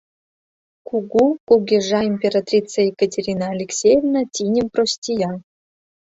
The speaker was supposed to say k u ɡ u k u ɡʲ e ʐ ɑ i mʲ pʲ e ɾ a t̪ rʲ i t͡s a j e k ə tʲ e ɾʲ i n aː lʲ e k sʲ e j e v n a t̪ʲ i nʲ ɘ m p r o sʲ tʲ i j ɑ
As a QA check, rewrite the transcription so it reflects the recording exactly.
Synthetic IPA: k u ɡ u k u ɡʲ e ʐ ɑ i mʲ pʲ e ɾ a t̪ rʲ i t͡s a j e k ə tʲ e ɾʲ i n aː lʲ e k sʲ e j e v n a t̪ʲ i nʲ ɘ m p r o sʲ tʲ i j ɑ